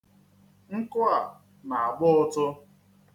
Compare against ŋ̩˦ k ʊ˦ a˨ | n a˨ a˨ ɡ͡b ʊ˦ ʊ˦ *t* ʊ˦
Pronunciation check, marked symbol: correct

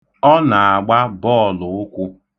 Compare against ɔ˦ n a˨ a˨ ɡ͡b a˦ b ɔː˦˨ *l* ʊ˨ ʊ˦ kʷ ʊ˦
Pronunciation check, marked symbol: correct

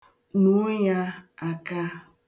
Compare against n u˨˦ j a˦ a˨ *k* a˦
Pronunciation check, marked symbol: correct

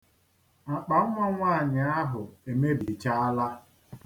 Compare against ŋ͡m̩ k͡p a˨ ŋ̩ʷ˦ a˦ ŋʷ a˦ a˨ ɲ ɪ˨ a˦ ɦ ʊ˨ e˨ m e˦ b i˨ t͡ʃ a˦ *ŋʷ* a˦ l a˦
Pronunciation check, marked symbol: incorrect: none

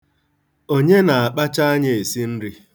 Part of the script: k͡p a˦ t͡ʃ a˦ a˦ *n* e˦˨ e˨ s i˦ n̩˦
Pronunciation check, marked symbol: incorrect: ɲ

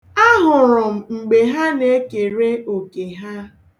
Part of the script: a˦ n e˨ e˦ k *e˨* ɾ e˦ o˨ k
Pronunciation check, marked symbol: correct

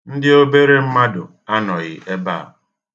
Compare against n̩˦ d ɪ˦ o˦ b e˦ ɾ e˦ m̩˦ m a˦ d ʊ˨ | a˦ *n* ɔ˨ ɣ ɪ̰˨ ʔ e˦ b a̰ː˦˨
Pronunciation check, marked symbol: correct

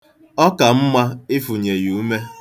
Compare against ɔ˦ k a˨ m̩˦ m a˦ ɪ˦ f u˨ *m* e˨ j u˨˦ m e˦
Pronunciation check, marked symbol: incorrect: ɲ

